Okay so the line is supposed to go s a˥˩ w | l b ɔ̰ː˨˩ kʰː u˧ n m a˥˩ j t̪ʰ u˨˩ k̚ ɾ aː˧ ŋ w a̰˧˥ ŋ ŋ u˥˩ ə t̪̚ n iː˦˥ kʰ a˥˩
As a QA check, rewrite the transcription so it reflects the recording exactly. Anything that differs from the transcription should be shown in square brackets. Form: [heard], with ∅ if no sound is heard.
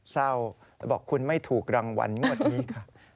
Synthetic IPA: s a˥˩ w | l b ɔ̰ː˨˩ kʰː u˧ n m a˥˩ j t̪ʰ [uː˨˩] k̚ ɾ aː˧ ŋ w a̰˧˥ [n] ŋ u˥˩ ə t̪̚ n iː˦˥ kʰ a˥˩